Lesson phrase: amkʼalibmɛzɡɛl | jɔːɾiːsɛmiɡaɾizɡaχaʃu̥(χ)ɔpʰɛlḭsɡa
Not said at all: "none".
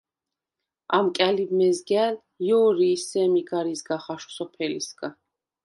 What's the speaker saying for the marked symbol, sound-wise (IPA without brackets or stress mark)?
s